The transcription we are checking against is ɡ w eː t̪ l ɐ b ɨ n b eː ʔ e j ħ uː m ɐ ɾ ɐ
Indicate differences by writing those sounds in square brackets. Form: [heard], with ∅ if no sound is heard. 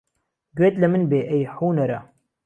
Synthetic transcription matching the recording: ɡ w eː t̪ l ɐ [m] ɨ n b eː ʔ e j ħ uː [n] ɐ ɾ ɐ

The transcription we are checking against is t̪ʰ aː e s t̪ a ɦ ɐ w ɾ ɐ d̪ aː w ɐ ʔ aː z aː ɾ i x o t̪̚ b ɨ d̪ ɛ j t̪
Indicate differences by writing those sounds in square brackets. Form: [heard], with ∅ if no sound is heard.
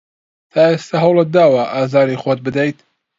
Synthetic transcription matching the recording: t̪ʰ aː e s t̪ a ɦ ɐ w [l] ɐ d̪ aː w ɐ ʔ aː z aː ɾ i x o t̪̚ b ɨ d̪ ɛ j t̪

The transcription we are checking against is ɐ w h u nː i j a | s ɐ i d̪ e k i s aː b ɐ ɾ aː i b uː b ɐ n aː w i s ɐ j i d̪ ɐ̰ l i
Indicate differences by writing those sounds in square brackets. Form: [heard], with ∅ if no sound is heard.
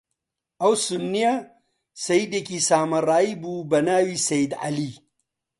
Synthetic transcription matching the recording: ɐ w [s] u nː i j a | s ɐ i d̪ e k i s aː [m] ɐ ɾ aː i b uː b ɐ n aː w i s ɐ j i d̪ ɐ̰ l i

